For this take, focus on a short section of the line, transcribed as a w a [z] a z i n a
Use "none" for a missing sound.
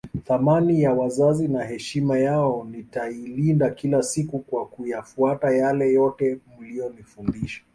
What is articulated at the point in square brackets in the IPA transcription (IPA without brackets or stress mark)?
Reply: z